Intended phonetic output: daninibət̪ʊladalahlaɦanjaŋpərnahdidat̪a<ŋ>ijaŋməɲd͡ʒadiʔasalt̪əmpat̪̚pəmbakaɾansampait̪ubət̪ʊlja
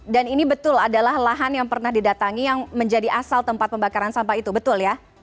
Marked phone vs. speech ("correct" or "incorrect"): correct